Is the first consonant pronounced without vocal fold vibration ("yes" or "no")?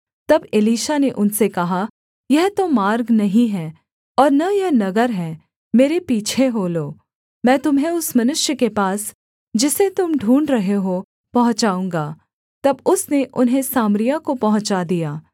yes